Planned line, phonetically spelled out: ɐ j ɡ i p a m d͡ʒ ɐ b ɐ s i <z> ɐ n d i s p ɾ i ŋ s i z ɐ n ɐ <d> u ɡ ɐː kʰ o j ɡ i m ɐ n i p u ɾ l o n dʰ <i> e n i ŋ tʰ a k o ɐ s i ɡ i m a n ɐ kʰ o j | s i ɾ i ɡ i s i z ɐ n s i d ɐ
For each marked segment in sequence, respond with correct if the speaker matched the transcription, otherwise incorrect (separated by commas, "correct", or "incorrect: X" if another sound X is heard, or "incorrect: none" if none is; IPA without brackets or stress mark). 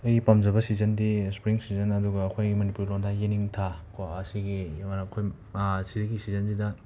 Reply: correct, correct, incorrect: a